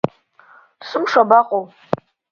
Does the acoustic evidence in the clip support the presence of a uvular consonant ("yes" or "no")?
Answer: yes